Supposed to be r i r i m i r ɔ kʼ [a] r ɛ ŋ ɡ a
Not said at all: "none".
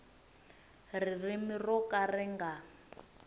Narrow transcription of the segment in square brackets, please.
a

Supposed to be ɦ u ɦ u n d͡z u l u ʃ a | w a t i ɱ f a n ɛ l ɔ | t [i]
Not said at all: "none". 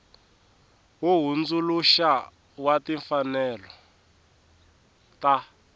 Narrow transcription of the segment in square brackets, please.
a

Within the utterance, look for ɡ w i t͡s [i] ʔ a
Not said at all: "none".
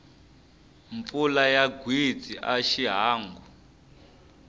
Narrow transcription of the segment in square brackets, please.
i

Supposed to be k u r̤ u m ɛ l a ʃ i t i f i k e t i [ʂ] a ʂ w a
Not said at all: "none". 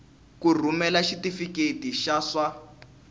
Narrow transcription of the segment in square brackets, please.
ʃ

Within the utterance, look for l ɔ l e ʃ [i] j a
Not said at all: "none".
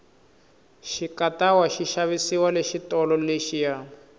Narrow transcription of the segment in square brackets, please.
i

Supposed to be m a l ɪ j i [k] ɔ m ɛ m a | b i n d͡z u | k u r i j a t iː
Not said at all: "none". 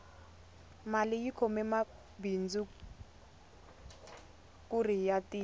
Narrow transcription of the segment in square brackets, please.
kʰ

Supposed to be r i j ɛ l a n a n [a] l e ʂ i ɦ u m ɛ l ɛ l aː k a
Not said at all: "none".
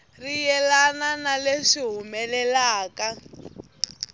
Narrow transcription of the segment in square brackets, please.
a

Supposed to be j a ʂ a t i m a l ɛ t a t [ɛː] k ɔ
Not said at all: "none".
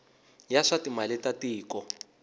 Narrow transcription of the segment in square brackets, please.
iː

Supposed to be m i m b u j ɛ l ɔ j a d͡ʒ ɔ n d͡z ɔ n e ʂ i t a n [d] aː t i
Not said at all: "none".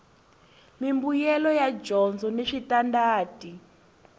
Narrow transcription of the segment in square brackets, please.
d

